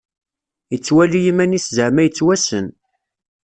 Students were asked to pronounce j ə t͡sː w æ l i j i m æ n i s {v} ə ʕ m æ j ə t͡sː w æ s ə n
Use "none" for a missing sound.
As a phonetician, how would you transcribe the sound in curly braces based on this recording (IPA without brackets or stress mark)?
z